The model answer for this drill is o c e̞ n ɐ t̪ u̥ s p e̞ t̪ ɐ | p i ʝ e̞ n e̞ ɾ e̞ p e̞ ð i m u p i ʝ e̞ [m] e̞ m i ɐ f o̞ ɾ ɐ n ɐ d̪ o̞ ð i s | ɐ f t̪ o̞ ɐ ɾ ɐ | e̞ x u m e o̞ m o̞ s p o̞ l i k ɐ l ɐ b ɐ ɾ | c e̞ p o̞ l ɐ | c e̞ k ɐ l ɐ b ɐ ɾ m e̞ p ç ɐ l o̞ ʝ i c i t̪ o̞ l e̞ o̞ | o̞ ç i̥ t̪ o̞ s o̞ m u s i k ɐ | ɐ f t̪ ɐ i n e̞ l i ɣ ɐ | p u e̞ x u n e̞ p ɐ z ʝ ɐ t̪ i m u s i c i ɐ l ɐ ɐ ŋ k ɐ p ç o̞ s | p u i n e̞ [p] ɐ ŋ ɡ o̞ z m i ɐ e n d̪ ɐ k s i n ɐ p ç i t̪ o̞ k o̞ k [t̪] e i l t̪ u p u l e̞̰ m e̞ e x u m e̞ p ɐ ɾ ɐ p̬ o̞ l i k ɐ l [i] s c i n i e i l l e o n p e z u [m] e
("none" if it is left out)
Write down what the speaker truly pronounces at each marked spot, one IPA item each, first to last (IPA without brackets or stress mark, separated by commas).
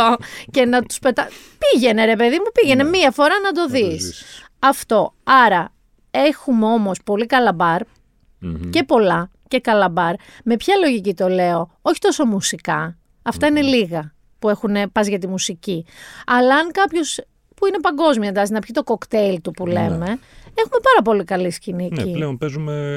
n, p, t̪, i, m